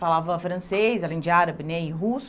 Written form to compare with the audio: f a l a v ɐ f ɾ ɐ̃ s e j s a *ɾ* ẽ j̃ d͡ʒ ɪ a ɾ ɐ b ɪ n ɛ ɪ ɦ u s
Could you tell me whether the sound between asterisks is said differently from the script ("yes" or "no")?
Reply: yes